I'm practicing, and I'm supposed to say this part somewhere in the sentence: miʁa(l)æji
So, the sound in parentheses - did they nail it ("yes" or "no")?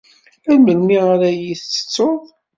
no